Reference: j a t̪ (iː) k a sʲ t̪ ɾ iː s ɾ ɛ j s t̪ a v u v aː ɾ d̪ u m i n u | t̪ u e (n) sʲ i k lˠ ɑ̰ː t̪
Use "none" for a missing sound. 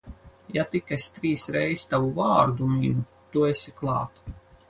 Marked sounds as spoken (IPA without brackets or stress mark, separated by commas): i, none